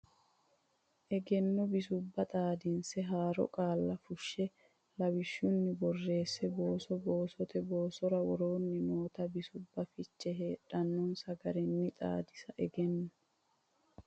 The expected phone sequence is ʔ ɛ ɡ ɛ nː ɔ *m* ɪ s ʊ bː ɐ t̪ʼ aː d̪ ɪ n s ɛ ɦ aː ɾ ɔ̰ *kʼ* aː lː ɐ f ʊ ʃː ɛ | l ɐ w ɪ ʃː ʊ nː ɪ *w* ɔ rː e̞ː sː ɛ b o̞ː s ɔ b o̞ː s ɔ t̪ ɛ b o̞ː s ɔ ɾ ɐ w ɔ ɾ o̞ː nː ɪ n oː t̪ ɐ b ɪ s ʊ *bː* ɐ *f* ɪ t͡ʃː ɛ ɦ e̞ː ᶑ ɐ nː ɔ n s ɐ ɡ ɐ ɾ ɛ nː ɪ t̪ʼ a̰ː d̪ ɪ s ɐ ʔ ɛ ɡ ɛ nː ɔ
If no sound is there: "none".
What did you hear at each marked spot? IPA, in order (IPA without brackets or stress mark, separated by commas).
b, kʼ, b, bː, f